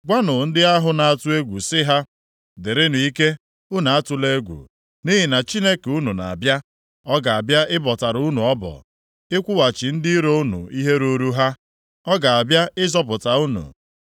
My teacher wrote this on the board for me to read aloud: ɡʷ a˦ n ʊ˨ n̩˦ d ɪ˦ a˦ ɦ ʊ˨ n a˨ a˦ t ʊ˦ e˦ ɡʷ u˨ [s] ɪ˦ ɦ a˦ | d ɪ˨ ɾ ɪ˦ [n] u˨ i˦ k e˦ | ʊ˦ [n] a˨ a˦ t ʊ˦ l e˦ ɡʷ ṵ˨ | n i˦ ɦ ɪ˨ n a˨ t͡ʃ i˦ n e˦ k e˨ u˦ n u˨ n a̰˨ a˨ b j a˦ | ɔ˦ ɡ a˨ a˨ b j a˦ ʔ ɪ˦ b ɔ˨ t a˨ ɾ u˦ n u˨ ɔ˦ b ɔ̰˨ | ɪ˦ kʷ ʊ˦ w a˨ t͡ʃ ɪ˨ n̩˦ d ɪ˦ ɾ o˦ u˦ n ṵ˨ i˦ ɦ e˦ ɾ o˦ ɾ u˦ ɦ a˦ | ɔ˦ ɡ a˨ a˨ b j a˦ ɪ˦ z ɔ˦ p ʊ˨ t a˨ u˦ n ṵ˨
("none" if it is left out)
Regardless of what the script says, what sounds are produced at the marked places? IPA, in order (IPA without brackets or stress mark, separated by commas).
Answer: s, n, n